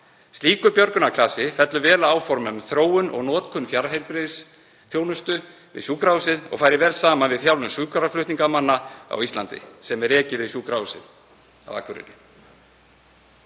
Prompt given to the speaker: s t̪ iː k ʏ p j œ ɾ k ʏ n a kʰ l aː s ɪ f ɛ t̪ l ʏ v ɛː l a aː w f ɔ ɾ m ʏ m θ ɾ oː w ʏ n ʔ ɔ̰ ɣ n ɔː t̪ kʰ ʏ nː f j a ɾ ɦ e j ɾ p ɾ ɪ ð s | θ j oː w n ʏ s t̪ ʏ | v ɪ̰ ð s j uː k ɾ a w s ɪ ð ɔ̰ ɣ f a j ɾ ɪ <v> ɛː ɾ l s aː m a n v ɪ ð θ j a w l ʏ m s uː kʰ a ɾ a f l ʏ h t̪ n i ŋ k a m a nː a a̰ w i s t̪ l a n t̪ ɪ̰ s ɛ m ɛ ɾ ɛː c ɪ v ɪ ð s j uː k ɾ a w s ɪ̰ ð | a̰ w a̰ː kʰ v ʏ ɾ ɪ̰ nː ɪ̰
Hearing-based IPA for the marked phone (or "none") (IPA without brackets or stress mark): v